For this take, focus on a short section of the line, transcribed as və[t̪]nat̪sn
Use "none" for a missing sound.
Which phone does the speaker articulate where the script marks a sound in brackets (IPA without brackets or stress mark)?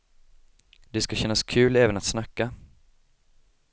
none